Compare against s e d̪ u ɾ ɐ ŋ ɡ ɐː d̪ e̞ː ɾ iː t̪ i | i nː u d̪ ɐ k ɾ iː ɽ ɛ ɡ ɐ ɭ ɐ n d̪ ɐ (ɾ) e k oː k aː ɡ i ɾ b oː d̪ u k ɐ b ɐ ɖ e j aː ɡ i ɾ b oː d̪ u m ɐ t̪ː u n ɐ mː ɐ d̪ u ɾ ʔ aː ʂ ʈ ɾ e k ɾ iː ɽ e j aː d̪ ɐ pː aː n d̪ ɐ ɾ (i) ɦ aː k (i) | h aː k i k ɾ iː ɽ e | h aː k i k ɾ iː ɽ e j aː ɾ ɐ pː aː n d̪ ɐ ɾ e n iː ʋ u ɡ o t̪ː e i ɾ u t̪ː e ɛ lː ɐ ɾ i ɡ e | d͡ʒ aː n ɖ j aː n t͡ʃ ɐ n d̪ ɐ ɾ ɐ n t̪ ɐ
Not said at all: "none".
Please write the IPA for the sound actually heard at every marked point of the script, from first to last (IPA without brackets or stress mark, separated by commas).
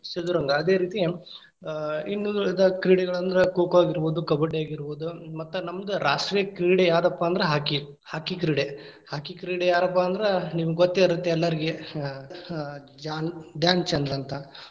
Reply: ɾ, e, i